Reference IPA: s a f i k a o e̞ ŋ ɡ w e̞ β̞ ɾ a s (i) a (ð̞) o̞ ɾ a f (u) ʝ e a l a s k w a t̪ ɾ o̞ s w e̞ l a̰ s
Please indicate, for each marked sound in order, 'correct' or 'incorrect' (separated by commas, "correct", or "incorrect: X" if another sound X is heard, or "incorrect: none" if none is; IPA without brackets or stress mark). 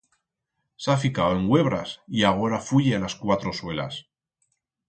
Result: correct, incorrect: ɣ̞, correct